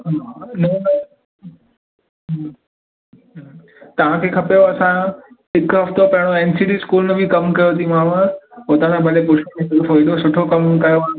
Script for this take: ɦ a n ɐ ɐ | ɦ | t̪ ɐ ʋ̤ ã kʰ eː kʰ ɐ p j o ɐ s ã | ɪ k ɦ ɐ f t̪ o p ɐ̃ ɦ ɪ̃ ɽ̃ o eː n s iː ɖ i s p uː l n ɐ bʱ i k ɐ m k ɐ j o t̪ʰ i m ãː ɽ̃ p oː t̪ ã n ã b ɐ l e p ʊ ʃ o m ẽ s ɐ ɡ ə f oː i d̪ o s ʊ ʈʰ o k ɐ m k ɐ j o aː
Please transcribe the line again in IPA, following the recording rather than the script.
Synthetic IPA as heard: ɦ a n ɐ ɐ | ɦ | t̪ ɐ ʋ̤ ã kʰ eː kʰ ɐ p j o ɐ s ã | ɪ k ɦ ɐ f t̪ o p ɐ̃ ɦ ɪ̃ ɽ̃ o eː n s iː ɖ i s k uː l n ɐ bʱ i k ɐ m k ɐ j o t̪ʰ i m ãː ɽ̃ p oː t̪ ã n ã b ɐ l e p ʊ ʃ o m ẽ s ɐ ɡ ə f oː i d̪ o s ʊ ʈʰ o k ɐ m k ɐ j o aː